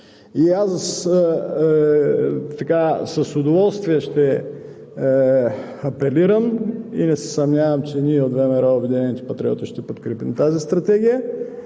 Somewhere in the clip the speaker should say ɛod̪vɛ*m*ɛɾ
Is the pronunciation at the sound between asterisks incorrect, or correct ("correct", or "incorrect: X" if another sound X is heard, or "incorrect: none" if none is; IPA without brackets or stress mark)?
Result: correct